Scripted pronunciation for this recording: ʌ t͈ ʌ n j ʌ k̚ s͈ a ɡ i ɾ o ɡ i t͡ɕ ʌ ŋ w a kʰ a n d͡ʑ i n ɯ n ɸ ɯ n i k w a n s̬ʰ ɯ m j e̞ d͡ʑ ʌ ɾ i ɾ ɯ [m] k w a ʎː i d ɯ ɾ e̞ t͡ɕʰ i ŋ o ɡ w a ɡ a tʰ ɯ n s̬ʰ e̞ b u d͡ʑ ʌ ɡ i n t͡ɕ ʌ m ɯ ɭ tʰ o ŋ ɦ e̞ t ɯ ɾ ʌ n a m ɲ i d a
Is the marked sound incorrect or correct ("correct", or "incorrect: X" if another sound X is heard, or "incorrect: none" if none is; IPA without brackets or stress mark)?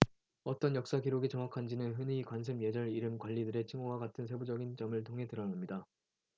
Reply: correct